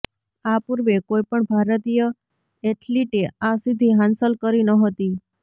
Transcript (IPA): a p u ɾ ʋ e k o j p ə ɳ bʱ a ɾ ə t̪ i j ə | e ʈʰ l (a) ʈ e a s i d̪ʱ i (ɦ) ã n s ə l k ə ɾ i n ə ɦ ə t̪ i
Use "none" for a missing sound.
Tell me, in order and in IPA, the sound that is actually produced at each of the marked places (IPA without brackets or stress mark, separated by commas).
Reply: i, ɦ